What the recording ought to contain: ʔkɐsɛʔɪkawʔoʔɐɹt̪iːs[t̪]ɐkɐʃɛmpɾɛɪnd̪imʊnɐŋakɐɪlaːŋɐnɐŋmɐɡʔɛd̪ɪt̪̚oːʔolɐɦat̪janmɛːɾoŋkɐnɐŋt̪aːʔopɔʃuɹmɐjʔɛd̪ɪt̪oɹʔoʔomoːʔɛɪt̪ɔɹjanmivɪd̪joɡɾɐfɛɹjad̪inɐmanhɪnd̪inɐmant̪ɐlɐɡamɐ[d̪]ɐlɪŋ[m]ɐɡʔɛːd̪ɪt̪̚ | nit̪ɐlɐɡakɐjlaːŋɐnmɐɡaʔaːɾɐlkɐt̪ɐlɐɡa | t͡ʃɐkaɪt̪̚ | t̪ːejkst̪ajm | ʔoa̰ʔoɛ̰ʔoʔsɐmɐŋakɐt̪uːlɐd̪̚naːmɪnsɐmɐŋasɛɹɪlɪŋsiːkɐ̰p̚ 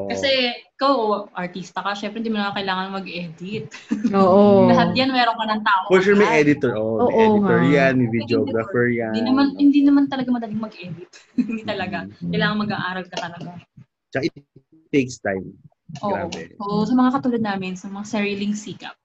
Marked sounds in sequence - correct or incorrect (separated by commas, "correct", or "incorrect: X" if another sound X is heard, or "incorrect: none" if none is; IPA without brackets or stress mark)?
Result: correct, correct, correct